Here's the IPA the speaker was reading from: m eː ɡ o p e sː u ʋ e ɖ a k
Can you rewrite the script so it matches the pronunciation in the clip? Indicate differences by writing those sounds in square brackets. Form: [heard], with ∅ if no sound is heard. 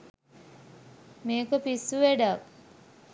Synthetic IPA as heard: m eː [k] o p [i] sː u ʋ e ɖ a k